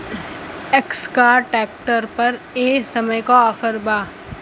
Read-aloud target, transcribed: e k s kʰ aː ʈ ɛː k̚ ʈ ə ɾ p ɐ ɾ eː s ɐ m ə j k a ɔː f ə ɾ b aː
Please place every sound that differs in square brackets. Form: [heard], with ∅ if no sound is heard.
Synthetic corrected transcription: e k s [k] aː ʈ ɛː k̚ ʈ ə ɾ p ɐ ɾ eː s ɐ m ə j k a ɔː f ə ɾ b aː